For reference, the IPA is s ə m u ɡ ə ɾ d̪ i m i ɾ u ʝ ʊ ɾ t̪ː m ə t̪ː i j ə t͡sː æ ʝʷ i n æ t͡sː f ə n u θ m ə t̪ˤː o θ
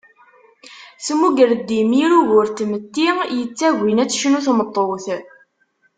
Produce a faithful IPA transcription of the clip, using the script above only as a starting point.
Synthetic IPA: s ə m u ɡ ə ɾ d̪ i m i ɾ u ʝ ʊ ɾ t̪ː m ə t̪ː i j ə t͡sː æ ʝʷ i n æ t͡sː ʃ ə n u θ m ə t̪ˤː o θ